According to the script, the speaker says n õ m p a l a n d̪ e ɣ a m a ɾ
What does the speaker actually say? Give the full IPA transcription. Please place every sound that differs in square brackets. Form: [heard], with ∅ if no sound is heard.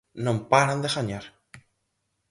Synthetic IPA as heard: n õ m p a [ɾ] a n d̪ e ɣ a [ɲ] a ɾ